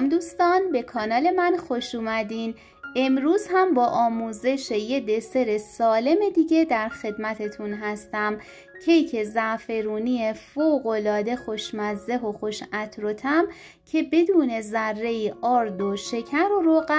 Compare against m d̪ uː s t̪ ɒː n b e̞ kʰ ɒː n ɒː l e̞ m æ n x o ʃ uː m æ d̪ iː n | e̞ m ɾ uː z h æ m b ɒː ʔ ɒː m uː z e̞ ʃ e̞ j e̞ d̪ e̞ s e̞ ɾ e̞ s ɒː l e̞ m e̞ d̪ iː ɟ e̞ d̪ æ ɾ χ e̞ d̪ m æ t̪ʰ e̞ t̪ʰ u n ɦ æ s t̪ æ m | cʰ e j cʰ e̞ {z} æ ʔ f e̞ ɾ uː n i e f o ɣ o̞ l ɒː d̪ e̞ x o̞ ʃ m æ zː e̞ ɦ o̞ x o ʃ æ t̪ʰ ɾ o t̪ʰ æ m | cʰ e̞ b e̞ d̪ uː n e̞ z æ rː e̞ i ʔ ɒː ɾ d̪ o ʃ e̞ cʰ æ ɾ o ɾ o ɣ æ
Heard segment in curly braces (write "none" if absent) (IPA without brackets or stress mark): z